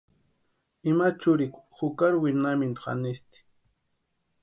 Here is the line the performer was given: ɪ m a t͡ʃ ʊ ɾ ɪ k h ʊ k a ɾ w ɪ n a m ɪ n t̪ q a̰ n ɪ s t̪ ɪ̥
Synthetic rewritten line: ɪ m a t͡ʃ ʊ ɾ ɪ k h ʊ k a ɾ w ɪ n a m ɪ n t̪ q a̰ n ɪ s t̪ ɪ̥